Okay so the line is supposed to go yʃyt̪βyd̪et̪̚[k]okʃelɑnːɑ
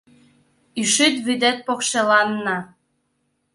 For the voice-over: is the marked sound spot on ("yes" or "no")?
no